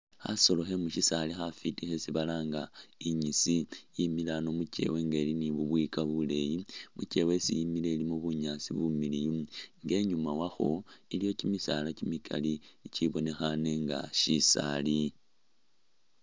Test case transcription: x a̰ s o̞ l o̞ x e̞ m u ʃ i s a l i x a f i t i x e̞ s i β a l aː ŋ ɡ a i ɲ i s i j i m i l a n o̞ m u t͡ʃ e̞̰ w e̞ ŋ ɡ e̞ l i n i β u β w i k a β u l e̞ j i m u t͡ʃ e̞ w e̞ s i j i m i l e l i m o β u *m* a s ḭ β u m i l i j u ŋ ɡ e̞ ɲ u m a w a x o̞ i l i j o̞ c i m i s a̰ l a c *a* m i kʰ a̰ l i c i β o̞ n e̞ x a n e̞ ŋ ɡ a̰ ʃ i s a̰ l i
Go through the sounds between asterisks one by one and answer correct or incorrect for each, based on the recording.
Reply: incorrect: ɲ, incorrect: i

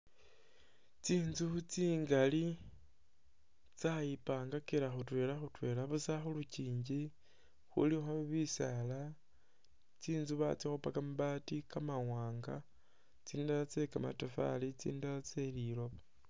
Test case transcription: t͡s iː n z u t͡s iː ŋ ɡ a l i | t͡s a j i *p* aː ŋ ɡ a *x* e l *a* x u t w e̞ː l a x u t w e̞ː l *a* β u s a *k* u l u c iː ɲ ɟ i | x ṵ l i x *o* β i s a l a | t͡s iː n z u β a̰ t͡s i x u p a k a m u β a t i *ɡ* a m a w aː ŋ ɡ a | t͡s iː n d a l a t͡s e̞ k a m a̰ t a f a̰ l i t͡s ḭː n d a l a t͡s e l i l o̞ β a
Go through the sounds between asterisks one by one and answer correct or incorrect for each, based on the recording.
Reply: correct, incorrect: k, correct, correct, incorrect: x, correct, incorrect: k

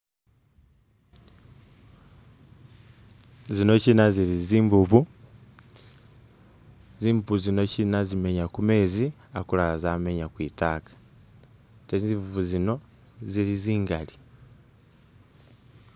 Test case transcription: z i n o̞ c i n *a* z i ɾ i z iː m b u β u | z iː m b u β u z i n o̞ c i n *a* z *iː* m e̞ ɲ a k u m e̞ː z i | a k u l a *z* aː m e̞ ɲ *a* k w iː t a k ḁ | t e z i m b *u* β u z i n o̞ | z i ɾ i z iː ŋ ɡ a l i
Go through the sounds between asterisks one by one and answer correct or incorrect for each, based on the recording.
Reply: correct, correct, incorrect: i, correct, correct, correct

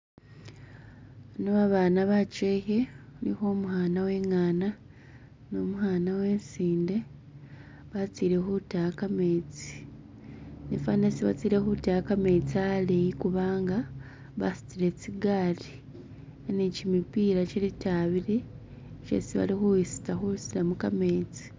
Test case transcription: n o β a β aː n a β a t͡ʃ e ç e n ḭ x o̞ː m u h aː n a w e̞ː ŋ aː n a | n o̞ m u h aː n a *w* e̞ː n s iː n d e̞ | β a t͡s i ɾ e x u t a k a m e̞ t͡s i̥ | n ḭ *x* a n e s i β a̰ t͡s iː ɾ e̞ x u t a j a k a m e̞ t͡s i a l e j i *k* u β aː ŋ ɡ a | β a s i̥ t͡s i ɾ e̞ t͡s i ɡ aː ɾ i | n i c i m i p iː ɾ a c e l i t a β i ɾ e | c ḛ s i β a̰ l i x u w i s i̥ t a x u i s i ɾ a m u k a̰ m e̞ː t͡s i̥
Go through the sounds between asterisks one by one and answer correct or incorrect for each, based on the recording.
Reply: correct, incorrect: f, correct

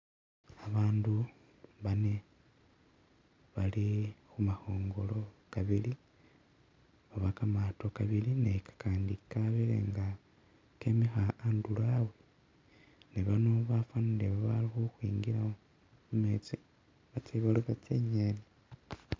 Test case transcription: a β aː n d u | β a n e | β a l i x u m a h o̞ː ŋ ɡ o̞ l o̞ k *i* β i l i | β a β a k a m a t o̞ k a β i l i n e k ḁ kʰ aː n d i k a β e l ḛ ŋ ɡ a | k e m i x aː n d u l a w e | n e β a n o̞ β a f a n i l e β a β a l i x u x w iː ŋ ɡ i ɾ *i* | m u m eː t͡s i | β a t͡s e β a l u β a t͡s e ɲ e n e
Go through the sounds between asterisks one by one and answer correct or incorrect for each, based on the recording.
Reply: incorrect: a, incorrect: a

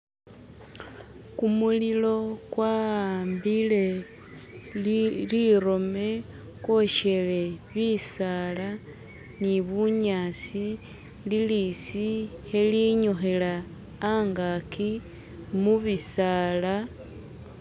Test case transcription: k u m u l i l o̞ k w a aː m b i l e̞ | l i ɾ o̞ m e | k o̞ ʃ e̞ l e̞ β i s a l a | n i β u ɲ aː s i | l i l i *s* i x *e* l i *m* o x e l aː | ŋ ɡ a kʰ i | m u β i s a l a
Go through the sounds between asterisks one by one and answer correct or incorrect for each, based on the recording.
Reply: correct, correct, incorrect: ɲ

